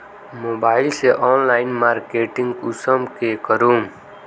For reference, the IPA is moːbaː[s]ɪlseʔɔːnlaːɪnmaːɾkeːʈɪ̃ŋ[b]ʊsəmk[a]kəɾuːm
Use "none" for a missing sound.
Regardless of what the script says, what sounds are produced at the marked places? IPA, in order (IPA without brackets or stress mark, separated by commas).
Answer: none, ɡ, e